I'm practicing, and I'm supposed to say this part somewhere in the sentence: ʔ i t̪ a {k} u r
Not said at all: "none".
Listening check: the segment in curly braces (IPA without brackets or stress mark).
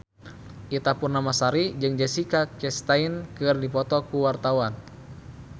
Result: p